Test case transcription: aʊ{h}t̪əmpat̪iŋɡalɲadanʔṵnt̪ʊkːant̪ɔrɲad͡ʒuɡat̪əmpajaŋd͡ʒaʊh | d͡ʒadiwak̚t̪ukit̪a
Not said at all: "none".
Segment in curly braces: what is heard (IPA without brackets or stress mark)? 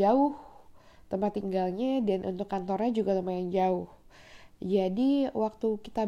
h